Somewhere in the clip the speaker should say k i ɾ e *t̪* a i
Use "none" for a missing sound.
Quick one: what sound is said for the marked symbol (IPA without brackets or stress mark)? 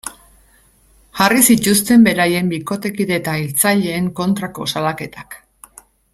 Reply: t̪